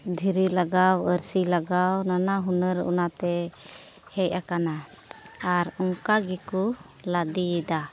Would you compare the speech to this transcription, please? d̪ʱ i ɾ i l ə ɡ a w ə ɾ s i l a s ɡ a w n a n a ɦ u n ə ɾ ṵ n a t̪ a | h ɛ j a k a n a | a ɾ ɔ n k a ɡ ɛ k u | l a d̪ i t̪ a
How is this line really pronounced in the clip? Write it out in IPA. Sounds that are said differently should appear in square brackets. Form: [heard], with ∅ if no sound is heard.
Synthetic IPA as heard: d̪ʱ i ɾ i l [a] ɡ a w ə ɾ s i l a [∅] ɡ a w n a n a ɦ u n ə ɾ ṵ n a t̪ [ɛ] | h ɛ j a k a n a | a ɾ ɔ [ŋ] k a ɡ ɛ k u | l a d̪ i [d̪] a